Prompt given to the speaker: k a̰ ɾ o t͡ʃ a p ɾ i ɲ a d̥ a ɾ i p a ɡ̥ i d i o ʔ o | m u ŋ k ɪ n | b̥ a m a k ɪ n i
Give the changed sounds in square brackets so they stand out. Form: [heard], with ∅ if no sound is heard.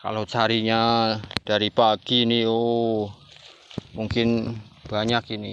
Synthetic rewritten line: k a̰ [l] o t͡ʃ a [∅] ɾ i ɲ a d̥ a ɾ i p a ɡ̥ i [n] i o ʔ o | m u ŋ k ɪ n | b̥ a [ɲ] a k [i] n i